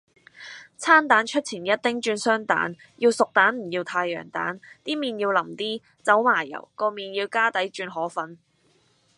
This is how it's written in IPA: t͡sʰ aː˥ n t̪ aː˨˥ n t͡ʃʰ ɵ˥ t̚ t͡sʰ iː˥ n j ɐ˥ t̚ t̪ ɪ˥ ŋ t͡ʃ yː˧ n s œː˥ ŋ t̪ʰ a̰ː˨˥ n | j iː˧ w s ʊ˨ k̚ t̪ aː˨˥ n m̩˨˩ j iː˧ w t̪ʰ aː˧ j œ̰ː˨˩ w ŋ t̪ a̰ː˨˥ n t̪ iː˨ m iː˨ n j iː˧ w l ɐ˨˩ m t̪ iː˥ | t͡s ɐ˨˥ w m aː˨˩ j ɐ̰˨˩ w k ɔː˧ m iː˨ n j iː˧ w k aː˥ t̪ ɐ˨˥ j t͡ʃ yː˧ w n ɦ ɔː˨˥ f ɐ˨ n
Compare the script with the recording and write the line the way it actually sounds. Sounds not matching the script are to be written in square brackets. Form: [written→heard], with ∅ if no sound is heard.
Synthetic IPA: t͡sʰ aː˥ n t̪ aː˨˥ n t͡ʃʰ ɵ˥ t̚ t͡sʰ [iː˥→iː˨˩] n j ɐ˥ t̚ t̪ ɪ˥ ŋ t͡ʃ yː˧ n s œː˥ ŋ [t̪ʰ→t̪] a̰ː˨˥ n | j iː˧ w s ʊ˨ k̚ t̪ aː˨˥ n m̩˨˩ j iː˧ w t̪ʰ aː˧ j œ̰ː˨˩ [w→∅] ŋ t̪ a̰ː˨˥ n t̪ [iː˨→iː˥] m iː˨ n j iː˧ w l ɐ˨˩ m t̪ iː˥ | t͡s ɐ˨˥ w m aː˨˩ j ɐ̰˨˩ w k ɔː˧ m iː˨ n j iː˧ w k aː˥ t̪ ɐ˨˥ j t͡ʃ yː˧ [w→∅] n ɦ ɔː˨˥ f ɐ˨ n